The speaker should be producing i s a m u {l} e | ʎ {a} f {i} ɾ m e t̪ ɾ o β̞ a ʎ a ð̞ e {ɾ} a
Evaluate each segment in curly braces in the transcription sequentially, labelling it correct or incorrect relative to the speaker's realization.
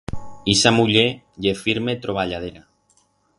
incorrect, incorrect, correct, correct

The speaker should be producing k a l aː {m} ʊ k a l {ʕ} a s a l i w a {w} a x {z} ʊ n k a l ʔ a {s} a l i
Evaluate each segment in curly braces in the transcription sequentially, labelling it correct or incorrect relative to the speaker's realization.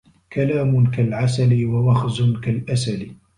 correct, correct, correct, correct, correct

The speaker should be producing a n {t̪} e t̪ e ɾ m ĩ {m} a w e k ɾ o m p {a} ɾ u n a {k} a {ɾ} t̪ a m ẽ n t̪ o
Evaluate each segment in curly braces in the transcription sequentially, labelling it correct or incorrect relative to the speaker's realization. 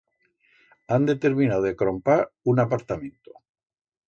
incorrect, incorrect, correct, incorrect, correct

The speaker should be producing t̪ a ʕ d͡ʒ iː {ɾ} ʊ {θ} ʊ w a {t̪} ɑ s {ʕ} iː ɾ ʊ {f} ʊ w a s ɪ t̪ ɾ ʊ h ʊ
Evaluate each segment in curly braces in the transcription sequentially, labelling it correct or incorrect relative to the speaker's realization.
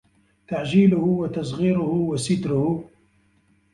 incorrect, incorrect, correct, incorrect, incorrect

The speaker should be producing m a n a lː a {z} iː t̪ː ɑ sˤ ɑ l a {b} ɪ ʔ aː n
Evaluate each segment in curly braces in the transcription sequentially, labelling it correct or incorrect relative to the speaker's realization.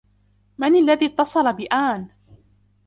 incorrect, correct

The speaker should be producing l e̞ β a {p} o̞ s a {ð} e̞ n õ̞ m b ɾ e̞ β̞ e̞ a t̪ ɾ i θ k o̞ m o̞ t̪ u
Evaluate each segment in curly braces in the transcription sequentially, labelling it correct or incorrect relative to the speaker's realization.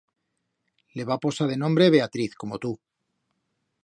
correct, correct

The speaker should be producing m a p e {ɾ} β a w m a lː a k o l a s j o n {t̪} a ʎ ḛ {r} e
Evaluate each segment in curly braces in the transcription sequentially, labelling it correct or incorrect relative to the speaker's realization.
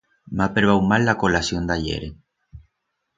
correct, incorrect, incorrect

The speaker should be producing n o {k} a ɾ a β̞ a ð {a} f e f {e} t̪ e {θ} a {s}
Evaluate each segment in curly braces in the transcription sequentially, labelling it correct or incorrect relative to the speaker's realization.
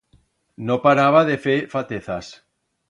incorrect, incorrect, incorrect, correct, correct

